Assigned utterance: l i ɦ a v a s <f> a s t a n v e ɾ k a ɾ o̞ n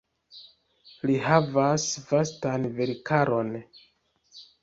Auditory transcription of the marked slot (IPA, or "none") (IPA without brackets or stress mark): v